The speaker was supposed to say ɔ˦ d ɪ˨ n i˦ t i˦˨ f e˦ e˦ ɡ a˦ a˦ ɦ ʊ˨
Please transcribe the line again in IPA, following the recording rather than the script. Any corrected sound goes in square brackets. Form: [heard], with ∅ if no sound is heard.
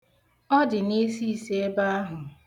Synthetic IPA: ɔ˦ d ɪ˨ n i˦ [s] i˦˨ [s] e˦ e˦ [b] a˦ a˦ ɦ ʊ˨